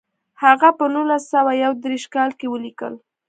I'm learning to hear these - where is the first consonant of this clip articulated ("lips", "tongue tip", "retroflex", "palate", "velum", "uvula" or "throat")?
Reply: throat